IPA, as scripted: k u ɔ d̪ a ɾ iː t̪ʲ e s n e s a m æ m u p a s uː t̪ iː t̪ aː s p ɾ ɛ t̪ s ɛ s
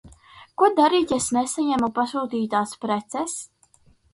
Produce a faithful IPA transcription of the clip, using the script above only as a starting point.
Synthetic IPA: k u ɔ d̪ a ɾ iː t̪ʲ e s n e s a ɲ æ m u p a s uː t̪ iː t̪ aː s p ɾ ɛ t̪ s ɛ s